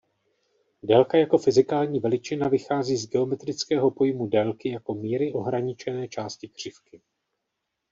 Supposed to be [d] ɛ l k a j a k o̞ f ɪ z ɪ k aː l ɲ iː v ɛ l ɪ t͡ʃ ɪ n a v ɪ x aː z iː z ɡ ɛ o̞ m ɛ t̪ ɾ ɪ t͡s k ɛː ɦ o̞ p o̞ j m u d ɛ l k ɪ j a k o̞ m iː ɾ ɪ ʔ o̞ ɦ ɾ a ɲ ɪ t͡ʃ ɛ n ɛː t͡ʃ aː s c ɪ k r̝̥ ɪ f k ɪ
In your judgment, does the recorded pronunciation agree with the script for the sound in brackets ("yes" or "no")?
yes